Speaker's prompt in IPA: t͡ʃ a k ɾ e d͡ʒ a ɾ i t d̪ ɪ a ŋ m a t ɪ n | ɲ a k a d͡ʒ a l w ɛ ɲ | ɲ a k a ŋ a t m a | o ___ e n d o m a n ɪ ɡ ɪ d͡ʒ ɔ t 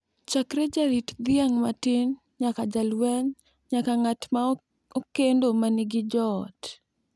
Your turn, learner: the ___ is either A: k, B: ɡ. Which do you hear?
A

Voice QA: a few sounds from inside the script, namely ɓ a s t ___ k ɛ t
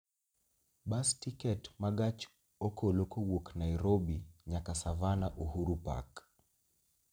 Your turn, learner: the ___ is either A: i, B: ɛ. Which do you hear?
A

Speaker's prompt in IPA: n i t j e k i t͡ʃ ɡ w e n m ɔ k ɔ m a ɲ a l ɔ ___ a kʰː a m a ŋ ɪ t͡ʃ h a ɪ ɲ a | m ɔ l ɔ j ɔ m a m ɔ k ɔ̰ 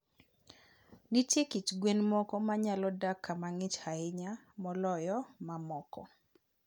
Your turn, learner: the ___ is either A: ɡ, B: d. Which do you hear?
B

